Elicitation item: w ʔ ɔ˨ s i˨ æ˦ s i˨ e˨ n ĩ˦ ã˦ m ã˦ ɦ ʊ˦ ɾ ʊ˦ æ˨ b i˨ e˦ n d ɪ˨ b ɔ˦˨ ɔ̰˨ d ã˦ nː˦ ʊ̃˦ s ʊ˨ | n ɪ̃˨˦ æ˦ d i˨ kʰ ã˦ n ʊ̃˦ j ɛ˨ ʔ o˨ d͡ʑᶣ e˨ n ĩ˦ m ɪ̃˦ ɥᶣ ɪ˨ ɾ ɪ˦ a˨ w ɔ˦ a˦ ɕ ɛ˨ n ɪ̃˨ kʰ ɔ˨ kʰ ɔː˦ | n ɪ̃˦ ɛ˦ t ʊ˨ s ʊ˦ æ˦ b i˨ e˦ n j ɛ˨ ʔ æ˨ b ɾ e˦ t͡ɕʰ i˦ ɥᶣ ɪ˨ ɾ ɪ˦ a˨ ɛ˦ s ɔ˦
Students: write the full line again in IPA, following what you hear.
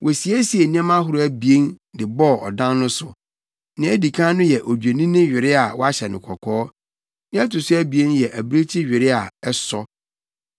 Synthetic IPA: w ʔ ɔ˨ s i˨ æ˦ s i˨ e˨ n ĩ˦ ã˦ m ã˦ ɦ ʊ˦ ɾ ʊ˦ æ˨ b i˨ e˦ n d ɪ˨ b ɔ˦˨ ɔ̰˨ d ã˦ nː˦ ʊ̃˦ s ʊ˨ | n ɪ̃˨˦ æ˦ d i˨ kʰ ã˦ n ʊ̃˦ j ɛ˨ ʔ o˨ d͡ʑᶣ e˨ n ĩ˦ n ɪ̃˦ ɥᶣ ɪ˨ ɾ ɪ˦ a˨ w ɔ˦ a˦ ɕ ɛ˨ n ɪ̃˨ kʰ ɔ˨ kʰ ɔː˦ | n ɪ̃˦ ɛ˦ t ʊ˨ s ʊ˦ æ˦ b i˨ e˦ n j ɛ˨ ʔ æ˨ b ɾ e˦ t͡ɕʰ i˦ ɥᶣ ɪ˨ ɾ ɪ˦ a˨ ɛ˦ s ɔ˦